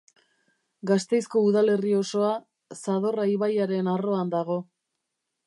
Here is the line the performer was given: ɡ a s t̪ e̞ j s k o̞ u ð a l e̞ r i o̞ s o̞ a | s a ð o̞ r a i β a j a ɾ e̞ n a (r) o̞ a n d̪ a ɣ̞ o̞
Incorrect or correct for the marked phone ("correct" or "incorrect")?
correct